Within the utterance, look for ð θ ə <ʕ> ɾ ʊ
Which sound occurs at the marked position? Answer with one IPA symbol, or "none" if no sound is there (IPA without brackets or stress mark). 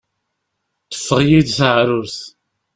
ʕ